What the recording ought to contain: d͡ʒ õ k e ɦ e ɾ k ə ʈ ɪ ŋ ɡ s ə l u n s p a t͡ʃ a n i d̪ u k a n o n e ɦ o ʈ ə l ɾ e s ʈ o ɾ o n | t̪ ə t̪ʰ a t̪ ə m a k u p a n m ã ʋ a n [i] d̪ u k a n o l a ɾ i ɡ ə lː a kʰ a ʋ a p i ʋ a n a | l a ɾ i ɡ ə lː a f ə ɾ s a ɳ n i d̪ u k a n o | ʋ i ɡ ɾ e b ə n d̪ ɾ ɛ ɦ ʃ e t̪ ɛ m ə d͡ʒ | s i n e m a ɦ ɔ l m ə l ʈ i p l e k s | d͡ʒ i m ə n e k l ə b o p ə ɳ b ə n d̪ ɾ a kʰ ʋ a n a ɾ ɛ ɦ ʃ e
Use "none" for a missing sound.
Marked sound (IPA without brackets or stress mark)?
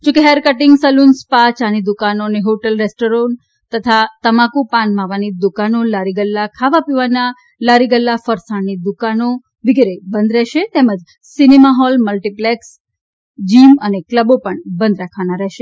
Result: i